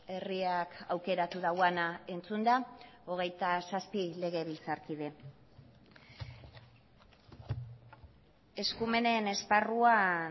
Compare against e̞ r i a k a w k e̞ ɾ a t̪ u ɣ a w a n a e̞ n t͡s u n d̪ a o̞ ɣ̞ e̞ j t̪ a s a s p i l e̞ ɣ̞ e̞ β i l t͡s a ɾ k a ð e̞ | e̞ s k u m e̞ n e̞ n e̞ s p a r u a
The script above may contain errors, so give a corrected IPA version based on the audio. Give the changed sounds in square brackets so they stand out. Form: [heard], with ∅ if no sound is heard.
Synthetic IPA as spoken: e̞ r i a k a w k e̞ ɾ a t̪ u [ð] a w a n a e̞ n t͡s u n d̪ a o̞ ɣ̞ e̞ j t̪ a s a s p i l e̞ ɣ̞ e̞ β i l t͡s a ɾ k [i] ð e̞ | e̞ s k u m e̞ n e̞ n e̞ s p a r u a